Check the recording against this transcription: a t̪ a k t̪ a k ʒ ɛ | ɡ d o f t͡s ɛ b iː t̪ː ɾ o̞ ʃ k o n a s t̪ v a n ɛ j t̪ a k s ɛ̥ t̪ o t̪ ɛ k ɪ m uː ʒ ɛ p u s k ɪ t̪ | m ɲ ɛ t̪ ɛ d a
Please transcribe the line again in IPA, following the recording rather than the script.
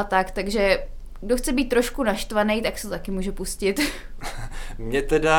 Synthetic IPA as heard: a t̪ a k t̪ a ɡ ʒ ɛ | ɡ d o x t͡s ɛ b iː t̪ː ɾ o̞ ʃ k u n a ʃ t̪ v a n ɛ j t̪ a k s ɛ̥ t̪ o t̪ a k ɪ m uː ʒ ɛ p u s c ɪ t̪ | m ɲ ɛ t̪ ɛ d a